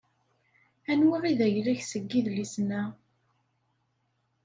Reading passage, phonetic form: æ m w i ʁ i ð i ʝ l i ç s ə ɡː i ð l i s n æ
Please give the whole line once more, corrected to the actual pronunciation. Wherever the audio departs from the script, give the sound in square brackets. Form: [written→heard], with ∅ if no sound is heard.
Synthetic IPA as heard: æ [m→n] w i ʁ i ð [i→æ] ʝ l [i→æ] ç s ə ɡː i ð l i s n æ